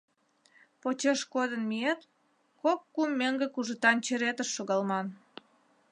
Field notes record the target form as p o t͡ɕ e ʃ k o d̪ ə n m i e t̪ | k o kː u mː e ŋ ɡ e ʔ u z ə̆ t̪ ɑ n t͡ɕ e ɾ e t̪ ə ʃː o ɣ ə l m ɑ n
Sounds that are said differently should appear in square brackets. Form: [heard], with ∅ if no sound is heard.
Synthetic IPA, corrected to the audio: p o t͡ɕ e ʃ k o d̪ ə n m i e t̪ | k o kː u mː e ŋ ɡ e [k] u [ʒ] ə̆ t̪ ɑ n t͡ɕ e ɾ e t̪ ə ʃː o ɣ [ɑ] l m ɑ n